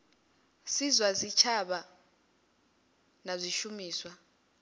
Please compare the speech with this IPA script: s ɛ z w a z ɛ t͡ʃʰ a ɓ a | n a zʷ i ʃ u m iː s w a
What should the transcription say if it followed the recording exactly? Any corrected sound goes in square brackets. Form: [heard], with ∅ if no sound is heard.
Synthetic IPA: s [i] z w a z [i] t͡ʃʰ a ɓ a | n a zʷ i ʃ u m iː s w a